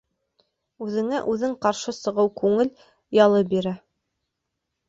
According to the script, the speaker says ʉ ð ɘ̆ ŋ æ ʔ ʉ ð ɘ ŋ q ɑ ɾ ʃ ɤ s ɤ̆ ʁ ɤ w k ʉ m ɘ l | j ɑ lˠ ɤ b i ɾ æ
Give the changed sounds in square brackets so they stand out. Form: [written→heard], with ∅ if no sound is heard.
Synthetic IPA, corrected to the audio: ʉ ð ɘ̆ ŋ æ ʔ ʉ ð ɘ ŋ q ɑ ɾ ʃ ɤ s ɤ̆ ʁ ɤ w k ʉ [m→ŋ] ɘ l | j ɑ lˠ ɤ b i ɾ æ